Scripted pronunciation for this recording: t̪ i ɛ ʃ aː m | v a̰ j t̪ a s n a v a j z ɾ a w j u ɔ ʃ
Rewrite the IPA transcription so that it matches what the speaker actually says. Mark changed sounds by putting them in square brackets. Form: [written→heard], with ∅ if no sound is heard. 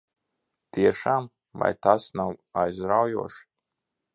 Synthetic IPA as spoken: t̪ i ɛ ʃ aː m | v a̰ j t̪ a s n a [v→w] a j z ɾ a w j u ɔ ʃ